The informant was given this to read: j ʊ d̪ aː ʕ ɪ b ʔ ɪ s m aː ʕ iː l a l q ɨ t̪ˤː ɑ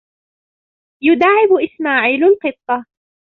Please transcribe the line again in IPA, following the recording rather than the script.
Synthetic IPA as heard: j ʊ d̪ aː ʕ ɪ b ʔ ɪ s m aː ʕ iː l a l q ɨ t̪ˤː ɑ